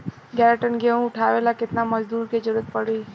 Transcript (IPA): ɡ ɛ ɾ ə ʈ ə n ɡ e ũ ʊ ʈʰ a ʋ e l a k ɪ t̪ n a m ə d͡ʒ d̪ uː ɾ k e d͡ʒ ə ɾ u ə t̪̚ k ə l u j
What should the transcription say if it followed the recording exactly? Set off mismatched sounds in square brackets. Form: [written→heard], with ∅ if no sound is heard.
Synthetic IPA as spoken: ɡ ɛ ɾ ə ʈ ə n ɡ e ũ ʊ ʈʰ a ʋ e l a k ɪ t̪ n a m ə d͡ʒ d̪ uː ɾ k e d͡ʒ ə ɾ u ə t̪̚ [k→p] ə [l→ɽ] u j